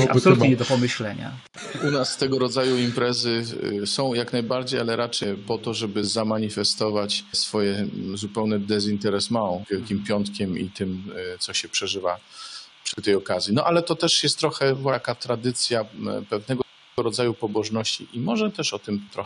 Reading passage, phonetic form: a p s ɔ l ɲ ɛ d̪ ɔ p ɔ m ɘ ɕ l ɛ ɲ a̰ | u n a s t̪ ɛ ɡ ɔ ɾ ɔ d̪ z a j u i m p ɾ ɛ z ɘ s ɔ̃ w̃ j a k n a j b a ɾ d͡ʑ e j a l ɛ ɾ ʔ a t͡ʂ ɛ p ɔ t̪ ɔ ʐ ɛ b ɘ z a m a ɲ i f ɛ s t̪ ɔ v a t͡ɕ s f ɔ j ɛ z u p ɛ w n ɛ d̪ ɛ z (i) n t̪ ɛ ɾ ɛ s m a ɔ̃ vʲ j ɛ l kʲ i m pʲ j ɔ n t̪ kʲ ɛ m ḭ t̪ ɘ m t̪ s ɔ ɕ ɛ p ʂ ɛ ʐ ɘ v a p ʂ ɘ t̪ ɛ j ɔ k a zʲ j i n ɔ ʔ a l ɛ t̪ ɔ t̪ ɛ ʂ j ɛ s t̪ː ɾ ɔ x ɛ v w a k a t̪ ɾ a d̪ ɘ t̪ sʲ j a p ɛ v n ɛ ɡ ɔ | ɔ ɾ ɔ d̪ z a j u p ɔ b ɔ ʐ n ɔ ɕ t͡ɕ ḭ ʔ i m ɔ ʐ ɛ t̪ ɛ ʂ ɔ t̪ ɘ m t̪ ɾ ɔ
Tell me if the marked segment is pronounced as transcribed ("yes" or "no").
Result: yes